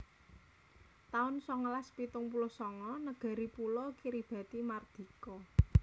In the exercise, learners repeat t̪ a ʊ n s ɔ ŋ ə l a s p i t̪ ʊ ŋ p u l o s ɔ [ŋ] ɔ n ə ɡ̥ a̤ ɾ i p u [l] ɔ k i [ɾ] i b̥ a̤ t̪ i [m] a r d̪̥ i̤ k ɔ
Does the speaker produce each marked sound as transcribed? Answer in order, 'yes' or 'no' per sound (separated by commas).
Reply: yes, yes, yes, yes